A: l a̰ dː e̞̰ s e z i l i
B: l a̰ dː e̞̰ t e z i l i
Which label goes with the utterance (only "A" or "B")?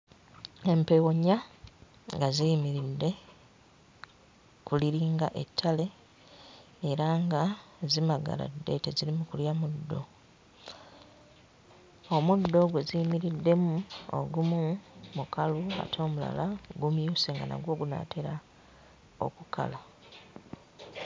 B